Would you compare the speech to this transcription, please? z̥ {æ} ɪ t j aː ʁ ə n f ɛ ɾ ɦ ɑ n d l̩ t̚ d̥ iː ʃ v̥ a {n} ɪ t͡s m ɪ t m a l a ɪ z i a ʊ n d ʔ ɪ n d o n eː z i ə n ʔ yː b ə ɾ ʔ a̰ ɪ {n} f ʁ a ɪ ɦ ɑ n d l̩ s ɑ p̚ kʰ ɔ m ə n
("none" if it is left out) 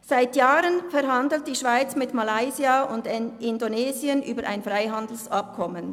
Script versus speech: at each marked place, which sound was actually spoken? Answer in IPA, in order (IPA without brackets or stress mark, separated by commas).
a, none, n